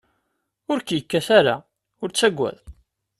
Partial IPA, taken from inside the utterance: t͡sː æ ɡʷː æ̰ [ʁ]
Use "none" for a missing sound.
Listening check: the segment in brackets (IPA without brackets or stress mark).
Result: ð